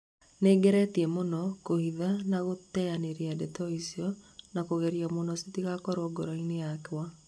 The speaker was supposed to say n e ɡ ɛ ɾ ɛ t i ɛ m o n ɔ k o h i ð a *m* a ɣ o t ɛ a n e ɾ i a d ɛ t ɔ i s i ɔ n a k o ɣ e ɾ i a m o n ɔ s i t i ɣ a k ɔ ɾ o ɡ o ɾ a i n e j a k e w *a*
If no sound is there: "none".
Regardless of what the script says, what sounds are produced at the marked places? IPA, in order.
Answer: n, a

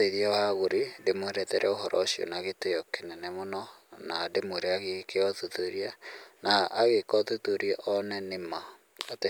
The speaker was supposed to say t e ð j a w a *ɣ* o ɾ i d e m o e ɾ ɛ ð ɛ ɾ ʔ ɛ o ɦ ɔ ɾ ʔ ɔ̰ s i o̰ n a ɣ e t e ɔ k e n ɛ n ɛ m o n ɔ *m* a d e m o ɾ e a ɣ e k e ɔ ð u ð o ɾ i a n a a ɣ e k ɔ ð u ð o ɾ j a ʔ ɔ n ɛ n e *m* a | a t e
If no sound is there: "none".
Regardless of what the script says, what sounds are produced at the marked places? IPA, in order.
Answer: ɣ, n, m

